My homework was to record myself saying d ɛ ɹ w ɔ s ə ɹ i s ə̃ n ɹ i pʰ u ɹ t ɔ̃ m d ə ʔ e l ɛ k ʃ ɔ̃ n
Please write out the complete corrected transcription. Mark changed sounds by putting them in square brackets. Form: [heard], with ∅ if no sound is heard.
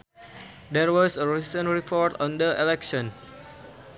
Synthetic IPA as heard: d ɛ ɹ w ɔ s ə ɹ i s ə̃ n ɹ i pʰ [ɔ] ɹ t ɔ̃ [n] d ə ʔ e l ɛ k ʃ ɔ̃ n